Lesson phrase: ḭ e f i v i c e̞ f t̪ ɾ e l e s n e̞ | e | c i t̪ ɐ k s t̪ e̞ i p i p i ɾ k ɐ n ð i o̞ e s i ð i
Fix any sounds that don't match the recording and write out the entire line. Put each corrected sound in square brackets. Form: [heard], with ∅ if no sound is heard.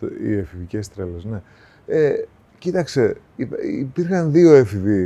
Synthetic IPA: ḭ e f i v i c e̞ [s] t̪ ɾ e l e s n e̞ | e | c i t̪ ɐ k s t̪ e̞ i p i p i ɾ [x] ɐ n ð i o̞ e [f] i [v] i